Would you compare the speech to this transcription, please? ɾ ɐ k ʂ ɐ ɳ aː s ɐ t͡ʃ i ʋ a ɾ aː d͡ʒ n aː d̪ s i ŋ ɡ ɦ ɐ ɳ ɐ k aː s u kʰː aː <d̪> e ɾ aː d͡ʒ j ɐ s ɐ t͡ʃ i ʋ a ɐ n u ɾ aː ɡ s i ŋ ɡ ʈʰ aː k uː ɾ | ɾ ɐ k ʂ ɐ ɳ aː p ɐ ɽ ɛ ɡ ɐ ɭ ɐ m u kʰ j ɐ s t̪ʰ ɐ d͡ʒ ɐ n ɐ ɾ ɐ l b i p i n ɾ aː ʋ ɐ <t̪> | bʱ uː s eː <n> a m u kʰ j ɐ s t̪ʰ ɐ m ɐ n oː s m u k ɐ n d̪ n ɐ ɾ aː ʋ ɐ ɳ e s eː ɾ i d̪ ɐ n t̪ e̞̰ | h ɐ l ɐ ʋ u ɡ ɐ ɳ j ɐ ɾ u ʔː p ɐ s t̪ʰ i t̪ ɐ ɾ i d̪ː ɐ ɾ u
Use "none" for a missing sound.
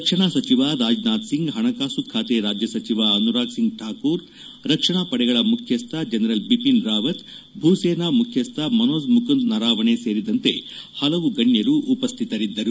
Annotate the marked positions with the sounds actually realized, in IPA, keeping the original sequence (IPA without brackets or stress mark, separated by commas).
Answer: t̪, t̪, n